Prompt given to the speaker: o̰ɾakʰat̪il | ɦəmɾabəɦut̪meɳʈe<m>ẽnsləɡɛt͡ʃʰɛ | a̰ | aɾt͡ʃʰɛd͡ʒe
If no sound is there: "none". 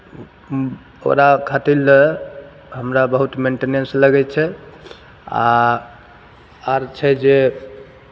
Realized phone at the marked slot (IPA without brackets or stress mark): n